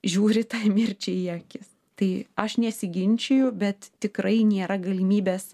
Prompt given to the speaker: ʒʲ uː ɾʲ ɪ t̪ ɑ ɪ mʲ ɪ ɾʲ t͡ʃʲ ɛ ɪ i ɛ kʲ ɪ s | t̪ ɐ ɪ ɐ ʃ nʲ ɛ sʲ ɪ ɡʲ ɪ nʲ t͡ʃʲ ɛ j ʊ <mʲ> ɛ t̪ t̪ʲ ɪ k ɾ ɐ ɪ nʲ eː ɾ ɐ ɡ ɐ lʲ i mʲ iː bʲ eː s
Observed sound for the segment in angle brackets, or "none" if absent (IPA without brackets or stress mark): bʲ